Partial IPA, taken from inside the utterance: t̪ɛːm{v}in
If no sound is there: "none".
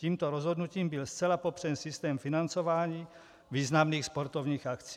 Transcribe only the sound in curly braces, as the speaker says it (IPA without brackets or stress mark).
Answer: f